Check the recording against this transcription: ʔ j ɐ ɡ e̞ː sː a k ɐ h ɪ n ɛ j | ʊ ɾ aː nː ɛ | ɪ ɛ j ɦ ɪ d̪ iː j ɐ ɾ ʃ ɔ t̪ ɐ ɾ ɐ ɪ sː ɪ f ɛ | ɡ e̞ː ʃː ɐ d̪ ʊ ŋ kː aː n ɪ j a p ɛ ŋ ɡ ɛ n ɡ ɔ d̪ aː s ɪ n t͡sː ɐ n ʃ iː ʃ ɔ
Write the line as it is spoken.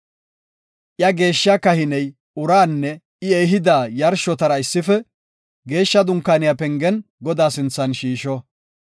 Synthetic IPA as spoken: ʔ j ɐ ɡ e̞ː ʃː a k ɐ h ɪ n ɛ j | ʊ ɾ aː nː ɛ | ɪ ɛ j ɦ ɪ d̪ aː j ɐ ɾ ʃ ɔ t̪ ɐ ɾ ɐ ɪ sː ɪ f ɛ | ɡ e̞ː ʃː ɐ d̪ ʊ ŋ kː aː n ɪ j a p ɛ ŋ ɡ ɛ n ɡ ɔ d̪ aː s ɪ n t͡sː ɐ n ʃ iː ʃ ɔ